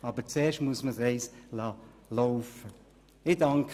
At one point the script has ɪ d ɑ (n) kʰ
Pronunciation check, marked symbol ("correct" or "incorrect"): incorrect